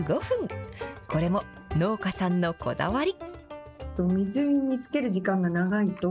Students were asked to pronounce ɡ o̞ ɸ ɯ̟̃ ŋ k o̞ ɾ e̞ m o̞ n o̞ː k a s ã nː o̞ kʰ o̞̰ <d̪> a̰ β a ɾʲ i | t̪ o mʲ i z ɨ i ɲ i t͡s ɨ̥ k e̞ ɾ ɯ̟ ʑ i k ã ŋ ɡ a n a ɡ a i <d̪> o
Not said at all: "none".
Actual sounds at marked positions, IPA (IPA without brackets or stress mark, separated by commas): d̪, t̪